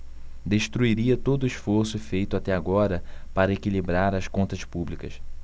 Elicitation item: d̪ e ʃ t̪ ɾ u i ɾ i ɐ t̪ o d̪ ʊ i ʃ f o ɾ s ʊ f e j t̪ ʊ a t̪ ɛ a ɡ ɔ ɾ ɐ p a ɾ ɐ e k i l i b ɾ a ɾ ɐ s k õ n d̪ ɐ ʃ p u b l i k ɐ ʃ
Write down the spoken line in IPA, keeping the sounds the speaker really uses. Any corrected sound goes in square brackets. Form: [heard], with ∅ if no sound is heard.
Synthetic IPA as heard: d̪ e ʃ t̪ ɾ u i ɾ i ɐ t̪ o d̪ ʊ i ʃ f o ɾ s ʊ f e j t̪ ʊ a t̪ ɛ a ɡ ɔ ɾ ɐ p a ɾ ɐ e k i l i b ɾ a ɾ ɐ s k õ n [t̪] ɐ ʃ p u b l i k ɐ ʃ